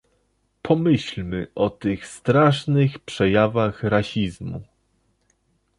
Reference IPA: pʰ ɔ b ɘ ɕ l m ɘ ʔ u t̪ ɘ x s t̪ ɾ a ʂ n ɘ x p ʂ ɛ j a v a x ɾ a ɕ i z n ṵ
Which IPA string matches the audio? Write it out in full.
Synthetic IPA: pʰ ɔ m ɘ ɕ l m ɘ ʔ ɔ t̪ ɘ x s t̪ ɾ a ʂ n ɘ x p ʂ ɛ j a v a x ɾ a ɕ i z m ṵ